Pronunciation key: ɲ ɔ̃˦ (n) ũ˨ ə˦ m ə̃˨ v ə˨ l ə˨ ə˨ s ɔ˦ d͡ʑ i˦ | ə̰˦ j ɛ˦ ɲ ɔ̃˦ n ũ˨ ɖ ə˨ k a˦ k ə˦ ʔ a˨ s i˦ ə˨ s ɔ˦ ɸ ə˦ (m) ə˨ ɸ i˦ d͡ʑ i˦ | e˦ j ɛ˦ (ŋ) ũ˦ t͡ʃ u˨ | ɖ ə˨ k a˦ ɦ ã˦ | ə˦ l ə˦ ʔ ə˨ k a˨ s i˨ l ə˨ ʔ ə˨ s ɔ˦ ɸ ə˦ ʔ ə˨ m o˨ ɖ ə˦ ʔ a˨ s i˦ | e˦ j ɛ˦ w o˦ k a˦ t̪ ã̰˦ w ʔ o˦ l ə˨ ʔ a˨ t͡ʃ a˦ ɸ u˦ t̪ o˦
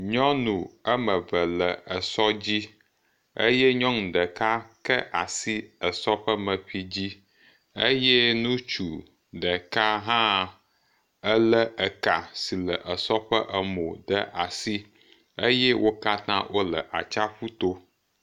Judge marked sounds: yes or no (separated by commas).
yes, yes, no